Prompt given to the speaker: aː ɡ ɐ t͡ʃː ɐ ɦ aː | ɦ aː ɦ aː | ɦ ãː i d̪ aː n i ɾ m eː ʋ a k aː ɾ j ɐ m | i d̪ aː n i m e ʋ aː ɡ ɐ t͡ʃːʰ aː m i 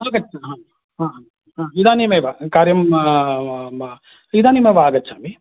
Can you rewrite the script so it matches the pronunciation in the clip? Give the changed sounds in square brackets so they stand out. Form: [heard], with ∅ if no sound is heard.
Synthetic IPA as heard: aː ɡ ɐ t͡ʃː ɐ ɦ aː | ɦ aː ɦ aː | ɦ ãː i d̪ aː n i [∅] m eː ʋ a k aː ɾ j ɐ m | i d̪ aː n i m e ʋ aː ɡ ɐ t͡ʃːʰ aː m i